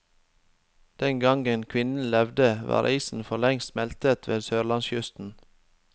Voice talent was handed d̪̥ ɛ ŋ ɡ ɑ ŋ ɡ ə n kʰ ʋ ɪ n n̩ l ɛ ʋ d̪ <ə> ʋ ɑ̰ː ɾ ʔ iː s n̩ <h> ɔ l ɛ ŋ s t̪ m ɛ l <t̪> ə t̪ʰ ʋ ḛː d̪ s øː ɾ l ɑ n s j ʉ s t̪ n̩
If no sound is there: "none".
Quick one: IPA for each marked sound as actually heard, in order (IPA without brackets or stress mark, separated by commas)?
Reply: ə, f, t̪